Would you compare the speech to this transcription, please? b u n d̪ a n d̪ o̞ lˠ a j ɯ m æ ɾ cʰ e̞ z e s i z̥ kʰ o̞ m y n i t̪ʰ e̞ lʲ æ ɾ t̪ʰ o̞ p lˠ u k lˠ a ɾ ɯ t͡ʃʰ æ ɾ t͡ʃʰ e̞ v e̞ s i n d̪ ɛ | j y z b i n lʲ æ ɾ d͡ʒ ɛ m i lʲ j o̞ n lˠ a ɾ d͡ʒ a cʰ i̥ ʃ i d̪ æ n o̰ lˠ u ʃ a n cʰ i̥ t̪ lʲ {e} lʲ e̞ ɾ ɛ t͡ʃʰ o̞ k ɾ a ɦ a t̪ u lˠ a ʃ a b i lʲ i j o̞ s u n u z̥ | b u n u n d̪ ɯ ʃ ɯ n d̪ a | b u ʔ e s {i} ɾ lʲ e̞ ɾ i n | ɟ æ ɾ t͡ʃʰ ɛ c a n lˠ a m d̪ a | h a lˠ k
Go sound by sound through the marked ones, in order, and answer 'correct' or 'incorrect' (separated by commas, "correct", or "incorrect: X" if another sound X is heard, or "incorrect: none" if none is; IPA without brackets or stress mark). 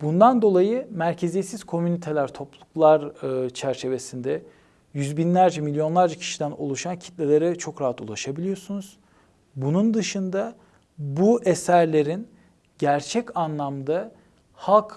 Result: correct, incorrect: æ